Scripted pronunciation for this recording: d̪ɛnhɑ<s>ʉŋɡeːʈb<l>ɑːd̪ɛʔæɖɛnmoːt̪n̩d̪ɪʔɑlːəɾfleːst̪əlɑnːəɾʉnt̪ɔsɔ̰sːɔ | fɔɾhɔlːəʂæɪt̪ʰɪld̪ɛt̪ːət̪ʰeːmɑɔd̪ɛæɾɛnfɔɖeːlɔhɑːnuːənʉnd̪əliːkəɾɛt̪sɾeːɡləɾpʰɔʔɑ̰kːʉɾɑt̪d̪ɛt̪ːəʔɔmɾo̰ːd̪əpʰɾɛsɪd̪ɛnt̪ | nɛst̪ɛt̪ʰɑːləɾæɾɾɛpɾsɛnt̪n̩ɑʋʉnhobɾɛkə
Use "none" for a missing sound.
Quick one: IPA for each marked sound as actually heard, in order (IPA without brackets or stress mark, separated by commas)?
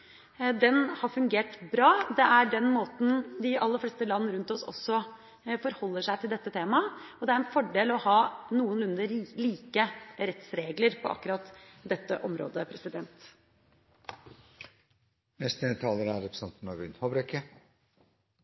f, ɾ